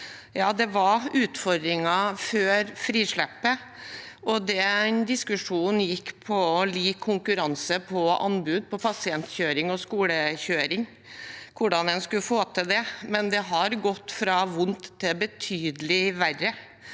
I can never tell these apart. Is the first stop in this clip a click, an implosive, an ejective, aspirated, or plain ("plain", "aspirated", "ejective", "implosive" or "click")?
plain